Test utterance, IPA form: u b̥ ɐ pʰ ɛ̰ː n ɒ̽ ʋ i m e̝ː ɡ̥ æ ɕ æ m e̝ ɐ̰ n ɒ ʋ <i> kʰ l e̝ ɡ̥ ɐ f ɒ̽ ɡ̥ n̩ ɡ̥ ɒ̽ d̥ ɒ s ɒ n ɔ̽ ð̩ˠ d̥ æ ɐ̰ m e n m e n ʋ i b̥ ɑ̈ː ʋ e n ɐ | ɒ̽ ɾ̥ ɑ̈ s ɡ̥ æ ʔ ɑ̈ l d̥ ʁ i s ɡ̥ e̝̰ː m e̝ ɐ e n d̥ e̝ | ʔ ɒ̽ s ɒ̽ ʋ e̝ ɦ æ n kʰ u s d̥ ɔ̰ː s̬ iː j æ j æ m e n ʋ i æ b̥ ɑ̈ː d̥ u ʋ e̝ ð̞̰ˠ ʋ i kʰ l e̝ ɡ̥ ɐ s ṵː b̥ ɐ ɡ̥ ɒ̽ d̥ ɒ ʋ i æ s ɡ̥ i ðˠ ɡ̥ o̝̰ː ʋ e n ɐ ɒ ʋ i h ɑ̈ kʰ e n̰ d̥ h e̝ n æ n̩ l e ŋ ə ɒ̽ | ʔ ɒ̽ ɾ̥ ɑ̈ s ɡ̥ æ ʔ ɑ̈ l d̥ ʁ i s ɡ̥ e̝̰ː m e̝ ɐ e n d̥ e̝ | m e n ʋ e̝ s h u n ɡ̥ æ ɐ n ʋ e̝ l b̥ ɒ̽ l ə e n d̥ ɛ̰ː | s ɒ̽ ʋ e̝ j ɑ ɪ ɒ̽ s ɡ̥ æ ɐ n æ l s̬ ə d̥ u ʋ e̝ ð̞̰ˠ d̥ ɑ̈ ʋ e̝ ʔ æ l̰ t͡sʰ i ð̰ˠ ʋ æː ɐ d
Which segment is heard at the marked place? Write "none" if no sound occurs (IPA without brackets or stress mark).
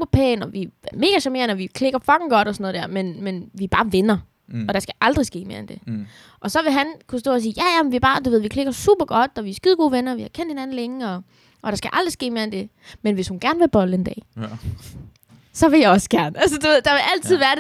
i